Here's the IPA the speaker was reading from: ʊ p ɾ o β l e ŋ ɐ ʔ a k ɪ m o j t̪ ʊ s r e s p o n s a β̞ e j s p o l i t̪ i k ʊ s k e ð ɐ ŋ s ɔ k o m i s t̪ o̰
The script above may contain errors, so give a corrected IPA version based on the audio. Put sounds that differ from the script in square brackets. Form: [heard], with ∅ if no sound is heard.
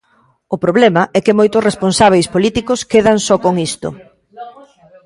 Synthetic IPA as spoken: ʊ p ɾ o β l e [m] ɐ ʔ [ɛ] k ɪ m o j t̪ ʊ s r e s p o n s a β̞ e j s p o l i t̪ i k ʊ s k e ð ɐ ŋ s ɔ k o [ŋ] i s t̪ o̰